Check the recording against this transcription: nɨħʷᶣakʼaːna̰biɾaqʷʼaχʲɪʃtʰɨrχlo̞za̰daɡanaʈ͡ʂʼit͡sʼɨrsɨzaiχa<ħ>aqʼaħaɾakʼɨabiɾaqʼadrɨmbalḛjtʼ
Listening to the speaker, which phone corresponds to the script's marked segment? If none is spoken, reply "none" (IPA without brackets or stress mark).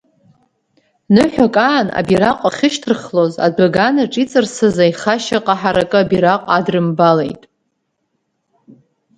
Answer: ʃ